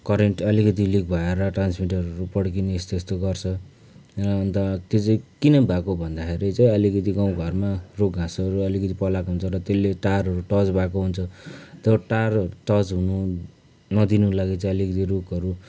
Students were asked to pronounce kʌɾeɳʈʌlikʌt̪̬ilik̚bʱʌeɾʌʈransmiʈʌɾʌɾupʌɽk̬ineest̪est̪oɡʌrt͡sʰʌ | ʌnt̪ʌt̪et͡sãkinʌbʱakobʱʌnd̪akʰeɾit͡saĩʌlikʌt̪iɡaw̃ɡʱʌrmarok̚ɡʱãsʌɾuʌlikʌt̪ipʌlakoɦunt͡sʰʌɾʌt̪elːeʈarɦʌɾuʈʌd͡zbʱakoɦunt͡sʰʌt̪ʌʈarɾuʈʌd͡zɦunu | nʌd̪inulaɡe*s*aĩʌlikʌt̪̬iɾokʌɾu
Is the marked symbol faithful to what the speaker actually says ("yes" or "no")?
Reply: no